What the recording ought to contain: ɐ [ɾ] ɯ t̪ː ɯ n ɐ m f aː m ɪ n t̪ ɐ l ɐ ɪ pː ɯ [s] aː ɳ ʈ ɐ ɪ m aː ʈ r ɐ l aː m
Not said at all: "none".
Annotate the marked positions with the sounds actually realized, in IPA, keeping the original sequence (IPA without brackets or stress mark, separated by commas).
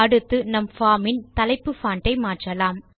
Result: ɽ, f